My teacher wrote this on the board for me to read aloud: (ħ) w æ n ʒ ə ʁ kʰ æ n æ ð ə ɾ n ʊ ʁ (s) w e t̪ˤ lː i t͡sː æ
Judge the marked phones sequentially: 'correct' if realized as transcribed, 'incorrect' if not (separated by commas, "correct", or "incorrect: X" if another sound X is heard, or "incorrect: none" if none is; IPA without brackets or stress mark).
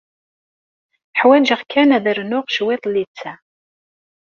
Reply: correct, incorrect: ʃ